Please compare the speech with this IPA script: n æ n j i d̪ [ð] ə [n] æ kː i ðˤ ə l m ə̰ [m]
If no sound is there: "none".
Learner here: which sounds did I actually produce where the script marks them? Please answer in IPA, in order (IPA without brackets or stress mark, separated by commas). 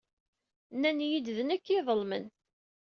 ð, n, n